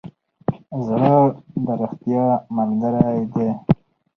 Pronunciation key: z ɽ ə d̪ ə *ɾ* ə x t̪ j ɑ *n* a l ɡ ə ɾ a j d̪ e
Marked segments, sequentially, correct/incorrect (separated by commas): correct, incorrect